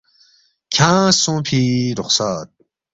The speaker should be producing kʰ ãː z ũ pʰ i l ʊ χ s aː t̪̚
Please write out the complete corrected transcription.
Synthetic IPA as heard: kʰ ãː s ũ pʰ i ɾ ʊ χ s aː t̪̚